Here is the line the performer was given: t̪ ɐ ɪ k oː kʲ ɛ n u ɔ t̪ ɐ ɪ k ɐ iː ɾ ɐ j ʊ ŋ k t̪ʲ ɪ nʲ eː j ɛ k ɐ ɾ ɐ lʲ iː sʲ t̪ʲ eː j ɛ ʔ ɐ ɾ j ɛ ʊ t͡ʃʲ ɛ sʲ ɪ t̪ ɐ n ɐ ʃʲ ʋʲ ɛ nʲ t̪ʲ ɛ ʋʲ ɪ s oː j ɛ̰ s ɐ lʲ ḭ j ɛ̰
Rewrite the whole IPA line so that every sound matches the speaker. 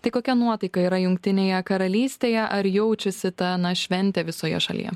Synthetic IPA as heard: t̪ ɐ ɪ k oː kʲ ɛ n u ɔ t̪ ɐ ɪ k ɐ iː ɾ ɐ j ʊ ŋ k t̪ʲ ɪ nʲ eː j ɛ k ɐ ɾ ɐ lʲ iː sʲ t̪ʲ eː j ɛ ʔ ɐ ɾ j ɛ ʊ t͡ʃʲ ɛ sʲ ɪ t̪ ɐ n ɐ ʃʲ ʋʲ ɛ nʲ t̪ʲ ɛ ʋʲ ɪ s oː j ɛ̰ ʃ ɐ lʲ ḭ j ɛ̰